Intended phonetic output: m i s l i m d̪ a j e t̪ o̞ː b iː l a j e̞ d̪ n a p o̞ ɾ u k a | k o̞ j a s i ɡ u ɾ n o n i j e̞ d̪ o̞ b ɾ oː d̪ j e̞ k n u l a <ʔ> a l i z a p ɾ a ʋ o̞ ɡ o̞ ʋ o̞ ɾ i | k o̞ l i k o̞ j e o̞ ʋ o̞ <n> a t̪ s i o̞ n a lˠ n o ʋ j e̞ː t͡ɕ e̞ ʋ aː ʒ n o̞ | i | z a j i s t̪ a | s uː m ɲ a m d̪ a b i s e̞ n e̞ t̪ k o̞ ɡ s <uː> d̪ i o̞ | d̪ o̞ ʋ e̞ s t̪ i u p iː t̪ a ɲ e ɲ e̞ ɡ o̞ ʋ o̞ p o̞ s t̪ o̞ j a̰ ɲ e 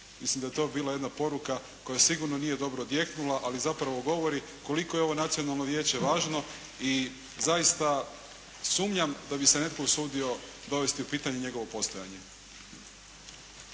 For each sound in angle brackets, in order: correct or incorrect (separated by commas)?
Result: correct, correct, correct